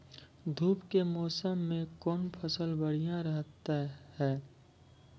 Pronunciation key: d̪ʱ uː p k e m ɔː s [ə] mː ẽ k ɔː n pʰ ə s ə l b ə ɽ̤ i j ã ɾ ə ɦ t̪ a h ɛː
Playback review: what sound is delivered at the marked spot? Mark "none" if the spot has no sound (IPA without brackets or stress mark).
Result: ə